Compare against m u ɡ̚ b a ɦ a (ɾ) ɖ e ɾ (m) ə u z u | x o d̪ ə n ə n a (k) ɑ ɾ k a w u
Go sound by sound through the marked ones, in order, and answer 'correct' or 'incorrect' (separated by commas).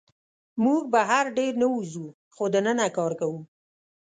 correct, incorrect, correct